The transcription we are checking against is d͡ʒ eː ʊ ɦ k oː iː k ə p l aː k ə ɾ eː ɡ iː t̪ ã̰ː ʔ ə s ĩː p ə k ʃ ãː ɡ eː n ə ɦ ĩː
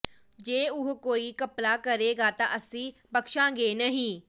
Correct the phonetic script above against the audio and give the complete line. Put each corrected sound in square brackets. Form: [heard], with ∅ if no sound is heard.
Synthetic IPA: d͡ʒ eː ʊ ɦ k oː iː k ə p l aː k ə ɾ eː ɡ [aː] t̪ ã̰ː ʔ ə s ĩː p ə k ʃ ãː ɡ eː n ə ɦ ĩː